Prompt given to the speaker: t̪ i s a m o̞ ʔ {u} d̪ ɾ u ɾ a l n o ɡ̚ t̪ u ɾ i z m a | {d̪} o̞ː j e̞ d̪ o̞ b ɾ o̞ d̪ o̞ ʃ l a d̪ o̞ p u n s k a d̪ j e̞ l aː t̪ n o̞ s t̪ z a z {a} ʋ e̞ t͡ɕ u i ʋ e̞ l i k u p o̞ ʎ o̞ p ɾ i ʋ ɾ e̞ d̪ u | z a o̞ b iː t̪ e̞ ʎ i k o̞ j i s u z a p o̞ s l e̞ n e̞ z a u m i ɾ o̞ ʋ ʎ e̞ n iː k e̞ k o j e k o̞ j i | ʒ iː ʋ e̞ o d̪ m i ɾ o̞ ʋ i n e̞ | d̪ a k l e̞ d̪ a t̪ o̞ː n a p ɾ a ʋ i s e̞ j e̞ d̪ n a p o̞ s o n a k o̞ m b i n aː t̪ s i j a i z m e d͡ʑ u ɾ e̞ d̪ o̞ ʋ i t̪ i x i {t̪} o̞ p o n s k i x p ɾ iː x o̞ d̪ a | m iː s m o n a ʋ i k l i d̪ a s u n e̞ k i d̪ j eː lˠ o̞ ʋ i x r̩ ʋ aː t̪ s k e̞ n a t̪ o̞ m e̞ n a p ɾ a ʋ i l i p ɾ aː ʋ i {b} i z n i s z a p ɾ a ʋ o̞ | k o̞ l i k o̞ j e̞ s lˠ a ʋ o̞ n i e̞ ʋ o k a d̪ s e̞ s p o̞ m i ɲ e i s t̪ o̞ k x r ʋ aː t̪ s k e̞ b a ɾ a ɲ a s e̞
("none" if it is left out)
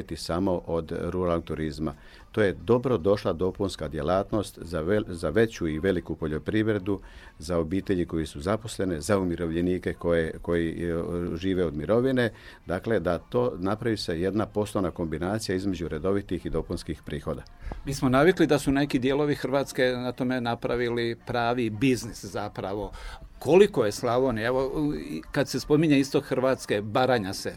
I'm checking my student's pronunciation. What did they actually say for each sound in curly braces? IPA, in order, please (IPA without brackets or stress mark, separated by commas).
o, t̪, a, d̪, b